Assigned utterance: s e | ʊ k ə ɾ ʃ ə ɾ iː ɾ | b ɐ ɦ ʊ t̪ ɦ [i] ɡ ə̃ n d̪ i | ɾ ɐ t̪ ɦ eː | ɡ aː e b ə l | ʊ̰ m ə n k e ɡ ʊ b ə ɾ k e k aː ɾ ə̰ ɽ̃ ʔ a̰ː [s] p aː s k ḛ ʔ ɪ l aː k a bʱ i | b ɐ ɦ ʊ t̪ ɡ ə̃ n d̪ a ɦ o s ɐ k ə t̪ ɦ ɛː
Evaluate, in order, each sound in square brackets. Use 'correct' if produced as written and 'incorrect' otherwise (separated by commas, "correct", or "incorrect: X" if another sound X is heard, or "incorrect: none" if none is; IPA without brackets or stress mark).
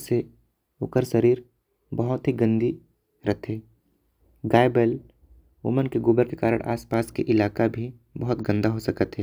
correct, correct